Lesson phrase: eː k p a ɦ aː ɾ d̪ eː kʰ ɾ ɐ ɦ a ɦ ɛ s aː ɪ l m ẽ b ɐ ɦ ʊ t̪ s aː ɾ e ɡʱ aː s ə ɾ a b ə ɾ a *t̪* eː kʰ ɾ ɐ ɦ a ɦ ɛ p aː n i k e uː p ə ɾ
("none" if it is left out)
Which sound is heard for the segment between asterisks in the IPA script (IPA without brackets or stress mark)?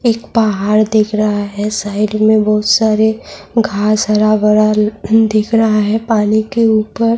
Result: d̪